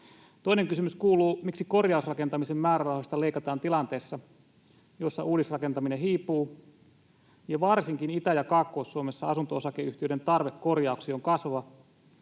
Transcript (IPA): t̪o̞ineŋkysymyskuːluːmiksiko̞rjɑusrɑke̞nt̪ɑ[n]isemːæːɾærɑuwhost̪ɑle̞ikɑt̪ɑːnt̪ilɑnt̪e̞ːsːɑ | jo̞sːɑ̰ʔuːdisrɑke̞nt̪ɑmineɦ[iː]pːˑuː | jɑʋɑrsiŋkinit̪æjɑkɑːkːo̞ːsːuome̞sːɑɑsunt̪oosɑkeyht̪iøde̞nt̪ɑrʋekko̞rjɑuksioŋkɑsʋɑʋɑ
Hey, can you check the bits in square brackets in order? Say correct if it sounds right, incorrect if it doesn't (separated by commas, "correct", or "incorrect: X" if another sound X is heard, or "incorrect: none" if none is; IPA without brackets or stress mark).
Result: incorrect: m, correct